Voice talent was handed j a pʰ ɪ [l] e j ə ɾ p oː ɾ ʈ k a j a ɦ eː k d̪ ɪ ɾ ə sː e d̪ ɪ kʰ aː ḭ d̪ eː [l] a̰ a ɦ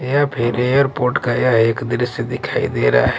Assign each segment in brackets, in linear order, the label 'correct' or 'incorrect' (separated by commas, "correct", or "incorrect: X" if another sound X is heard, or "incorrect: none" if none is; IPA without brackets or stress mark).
incorrect: ɾ, incorrect: ɾ